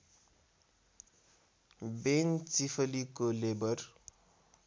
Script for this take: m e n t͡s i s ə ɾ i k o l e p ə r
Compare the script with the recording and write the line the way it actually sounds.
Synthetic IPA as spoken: b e n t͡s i f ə l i k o l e b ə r